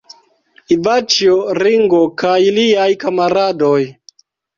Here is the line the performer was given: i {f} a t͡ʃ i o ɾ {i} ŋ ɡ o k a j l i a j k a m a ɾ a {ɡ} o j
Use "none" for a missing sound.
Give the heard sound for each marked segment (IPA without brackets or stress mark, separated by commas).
v, i, d